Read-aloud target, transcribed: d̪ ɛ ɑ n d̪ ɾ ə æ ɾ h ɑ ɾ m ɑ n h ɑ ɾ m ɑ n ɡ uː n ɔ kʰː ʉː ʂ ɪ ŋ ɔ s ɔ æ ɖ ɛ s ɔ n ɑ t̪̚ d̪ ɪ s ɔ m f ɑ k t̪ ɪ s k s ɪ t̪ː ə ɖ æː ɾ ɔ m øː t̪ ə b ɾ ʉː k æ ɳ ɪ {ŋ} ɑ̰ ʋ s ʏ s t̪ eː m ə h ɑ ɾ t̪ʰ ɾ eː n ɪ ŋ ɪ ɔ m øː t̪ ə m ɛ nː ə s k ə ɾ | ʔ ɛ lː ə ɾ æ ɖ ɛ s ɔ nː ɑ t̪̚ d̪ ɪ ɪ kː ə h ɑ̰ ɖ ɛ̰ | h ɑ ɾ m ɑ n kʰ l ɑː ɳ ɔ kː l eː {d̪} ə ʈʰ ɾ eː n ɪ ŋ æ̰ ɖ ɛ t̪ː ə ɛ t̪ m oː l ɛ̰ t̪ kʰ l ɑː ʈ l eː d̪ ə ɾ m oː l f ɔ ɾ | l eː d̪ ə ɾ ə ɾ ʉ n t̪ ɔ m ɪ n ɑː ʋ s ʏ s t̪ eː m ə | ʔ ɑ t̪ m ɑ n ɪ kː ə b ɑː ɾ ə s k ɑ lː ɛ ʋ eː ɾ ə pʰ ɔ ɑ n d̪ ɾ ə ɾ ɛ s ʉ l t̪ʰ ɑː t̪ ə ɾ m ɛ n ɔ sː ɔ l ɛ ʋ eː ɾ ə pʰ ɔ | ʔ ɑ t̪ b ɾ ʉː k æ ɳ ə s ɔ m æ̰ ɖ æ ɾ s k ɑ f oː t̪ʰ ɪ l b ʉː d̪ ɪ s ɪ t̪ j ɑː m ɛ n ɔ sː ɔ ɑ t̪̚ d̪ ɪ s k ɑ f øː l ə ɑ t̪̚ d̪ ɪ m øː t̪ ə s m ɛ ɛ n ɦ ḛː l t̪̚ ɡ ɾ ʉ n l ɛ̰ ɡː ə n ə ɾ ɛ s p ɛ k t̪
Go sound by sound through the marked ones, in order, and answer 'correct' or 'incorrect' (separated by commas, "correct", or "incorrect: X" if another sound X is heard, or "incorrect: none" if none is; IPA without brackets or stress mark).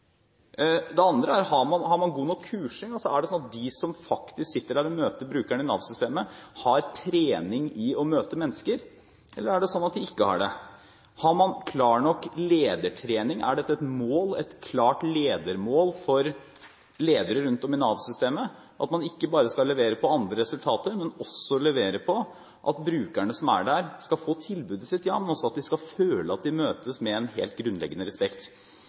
incorrect: n, correct